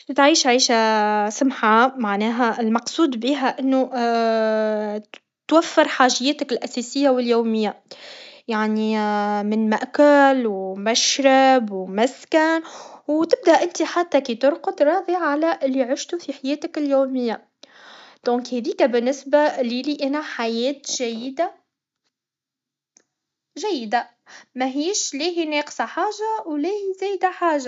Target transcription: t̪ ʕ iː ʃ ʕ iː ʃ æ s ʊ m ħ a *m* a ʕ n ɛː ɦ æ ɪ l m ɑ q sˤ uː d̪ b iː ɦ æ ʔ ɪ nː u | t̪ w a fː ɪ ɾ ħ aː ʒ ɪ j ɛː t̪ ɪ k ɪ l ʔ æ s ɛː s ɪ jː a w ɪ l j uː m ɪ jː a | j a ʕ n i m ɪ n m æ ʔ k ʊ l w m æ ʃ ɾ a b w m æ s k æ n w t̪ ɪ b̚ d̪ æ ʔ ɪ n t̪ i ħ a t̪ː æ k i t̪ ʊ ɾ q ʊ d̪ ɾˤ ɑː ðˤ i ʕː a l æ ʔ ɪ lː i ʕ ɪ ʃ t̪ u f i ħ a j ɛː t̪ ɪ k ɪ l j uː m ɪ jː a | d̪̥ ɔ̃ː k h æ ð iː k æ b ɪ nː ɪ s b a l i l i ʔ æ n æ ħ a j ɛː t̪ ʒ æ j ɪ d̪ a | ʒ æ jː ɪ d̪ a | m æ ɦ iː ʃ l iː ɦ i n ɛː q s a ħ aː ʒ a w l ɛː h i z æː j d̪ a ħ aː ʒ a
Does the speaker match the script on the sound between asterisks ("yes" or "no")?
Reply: yes